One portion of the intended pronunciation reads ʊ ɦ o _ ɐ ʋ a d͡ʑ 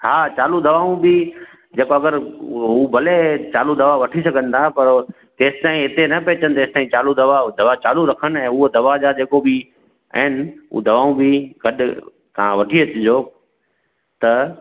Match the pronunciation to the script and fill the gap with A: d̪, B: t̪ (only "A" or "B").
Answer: A